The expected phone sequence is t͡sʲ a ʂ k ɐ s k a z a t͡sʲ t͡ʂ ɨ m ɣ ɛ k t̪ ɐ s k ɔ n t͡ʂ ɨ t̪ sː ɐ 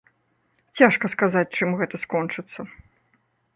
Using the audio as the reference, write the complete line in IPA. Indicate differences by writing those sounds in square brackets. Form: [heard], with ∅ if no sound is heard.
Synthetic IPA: t͡sʲ a ʂ k ɐ s k a z a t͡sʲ t͡ʂ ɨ m ɣ ɛ [∅] t̪ ɐ s k ɔ n t͡ʂ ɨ t̪ sː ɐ